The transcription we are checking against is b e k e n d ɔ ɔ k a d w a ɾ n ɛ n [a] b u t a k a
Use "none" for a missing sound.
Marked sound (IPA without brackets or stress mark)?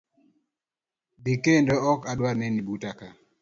i